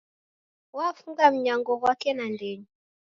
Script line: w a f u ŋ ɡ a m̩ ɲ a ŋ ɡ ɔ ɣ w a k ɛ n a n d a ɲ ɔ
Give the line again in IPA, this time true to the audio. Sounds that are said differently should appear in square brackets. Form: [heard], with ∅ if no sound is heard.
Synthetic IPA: w a f u ŋ ɡ a m̩ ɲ a ŋ ɡ ɔ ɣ w a k ɛ n a n d [ɛ] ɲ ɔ